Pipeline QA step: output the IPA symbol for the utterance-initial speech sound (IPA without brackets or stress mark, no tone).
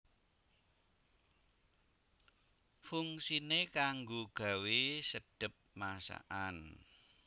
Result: f